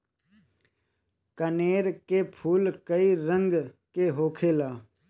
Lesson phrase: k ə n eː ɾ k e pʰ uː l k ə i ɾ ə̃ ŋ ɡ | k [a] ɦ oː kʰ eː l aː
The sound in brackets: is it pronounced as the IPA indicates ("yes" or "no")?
no